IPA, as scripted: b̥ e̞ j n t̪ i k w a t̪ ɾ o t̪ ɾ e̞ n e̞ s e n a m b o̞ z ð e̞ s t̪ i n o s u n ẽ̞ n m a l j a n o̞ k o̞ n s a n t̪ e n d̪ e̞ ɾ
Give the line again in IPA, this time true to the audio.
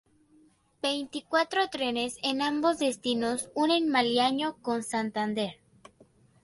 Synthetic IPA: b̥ e̞ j n t̪ i k w a t̪ ɾ o t̪ ɾ e̞ n e̞ s e n a m b o̞ z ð e̞ s t̪ i n o s u n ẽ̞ n m a l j a ɲ o̞ k o̞ n s a n t̪ a n d̪ e̞ ɾ